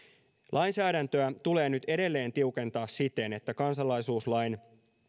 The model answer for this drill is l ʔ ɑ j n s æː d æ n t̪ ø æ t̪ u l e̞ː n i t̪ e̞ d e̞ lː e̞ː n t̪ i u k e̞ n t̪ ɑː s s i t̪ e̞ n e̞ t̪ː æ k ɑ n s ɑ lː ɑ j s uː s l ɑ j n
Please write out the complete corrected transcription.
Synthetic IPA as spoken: l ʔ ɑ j n s æː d æ n t̪ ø æ t̪ u l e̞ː n y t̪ e̞ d e̞ lː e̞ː n t̪ i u k e̞ n t̪ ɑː s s i t̪ e̞ n e̞ t̪ː æ k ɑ n s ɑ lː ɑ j s uː s l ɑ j n